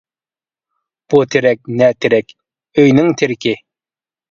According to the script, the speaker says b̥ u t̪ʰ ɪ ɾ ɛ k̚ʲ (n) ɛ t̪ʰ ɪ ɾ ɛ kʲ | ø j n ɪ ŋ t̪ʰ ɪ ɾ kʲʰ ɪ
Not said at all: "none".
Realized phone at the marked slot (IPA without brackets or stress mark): n